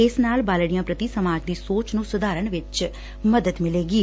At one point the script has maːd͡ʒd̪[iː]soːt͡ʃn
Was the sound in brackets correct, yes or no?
yes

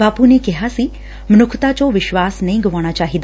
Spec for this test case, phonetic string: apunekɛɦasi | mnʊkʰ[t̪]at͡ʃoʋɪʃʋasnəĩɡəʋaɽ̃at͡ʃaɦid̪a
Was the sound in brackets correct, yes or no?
yes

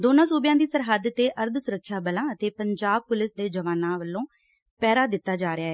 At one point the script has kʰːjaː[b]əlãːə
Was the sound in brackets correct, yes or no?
yes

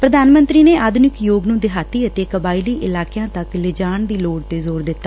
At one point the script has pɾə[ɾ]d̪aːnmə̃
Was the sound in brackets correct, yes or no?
no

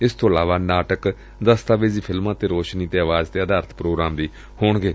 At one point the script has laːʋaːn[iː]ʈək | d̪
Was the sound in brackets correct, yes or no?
no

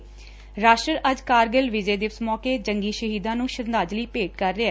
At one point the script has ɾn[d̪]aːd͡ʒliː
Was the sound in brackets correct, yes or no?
yes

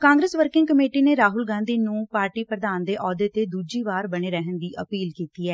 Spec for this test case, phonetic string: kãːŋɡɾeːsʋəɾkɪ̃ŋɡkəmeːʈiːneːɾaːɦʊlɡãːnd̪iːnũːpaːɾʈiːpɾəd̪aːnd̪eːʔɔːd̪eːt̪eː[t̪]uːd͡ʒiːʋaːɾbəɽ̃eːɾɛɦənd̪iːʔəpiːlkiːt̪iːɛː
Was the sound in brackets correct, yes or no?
no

